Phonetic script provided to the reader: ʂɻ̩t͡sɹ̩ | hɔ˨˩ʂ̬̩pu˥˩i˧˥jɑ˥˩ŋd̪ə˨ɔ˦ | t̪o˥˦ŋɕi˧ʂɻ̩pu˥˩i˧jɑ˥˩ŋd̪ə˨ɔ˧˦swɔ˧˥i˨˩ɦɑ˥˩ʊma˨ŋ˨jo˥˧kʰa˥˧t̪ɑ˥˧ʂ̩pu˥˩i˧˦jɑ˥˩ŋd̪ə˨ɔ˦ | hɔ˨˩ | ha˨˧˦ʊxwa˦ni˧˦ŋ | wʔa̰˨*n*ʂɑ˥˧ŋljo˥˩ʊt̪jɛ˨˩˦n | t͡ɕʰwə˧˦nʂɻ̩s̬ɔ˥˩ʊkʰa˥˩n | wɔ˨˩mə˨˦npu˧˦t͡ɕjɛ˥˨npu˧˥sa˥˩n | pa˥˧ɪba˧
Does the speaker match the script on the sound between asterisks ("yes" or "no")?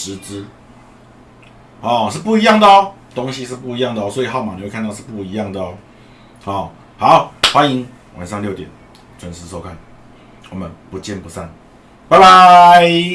yes